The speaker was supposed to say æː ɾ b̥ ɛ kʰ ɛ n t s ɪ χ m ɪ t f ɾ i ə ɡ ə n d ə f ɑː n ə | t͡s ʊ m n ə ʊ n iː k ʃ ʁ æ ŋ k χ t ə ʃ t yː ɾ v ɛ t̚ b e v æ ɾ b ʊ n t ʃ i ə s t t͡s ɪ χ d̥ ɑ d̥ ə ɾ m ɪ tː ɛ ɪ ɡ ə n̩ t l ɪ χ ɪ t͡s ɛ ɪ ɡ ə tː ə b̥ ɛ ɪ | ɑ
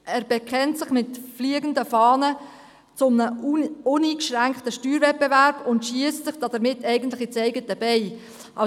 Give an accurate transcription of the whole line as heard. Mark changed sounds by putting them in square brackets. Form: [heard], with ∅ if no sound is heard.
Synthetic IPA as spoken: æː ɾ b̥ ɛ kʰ ɛ n t s ɪ χ m ɪ t f [l] i ə ɡ ə n d ə f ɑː n ə | t͡s ʊ m n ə ʊ n iː k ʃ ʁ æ ŋ k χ t ə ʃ t yː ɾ v ɛ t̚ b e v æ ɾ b ʊ n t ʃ i ə s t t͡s ɪ χ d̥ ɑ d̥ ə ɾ m ɪ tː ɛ ɪ ɡ ə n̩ t l ɪ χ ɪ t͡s ɛ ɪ ɡ ə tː ə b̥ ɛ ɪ | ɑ